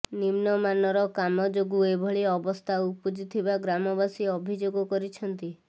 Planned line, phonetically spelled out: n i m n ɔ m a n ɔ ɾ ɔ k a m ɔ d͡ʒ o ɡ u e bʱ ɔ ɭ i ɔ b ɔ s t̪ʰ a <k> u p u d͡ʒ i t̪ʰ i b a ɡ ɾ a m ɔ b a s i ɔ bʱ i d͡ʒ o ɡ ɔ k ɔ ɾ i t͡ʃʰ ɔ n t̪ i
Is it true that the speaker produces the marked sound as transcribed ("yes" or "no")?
no